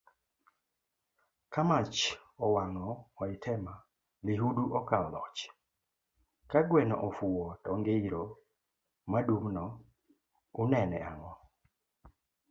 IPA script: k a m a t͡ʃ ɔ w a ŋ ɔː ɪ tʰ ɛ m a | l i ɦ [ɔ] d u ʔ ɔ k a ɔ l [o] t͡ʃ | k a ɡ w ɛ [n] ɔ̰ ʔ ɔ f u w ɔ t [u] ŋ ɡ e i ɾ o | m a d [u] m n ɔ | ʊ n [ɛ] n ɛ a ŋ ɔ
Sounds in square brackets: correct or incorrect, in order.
incorrect: u, incorrect: ɔ, correct, incorrect: ɔ, correct, correct

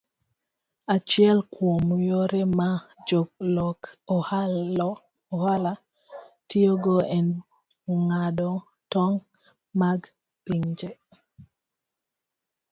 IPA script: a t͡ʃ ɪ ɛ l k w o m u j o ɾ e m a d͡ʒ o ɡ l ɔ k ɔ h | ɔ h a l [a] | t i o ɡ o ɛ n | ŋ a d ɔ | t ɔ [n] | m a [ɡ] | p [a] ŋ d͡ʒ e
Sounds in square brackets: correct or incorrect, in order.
correct, incorrect: ŋ, correct, incorrect: i

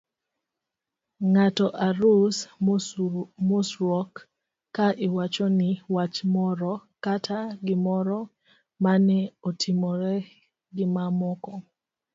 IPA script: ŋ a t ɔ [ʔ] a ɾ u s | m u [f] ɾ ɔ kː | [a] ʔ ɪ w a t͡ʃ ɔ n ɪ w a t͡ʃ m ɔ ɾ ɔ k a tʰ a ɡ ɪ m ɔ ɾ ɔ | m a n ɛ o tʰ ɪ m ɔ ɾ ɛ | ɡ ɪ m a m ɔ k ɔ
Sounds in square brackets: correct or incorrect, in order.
correct, incorrect: s, correct

